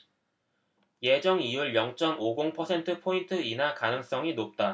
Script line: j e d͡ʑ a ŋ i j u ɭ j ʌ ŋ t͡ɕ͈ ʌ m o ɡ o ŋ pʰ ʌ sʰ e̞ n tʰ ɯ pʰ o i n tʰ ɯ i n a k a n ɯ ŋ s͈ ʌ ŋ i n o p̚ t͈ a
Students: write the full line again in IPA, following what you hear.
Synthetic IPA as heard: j e d͡ʑ ʌ ŋ i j u ɭ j ʌ ŋ t͡ɕ͈ ʌ m o ɡ o ŋ pʰ ʌ sʰ e̞ n tʰ ɯ pʰ o i n tʰ ɯ i n a k a n ɯ ŋ s͈ ʌ ŋ i n o p̚ t͈ a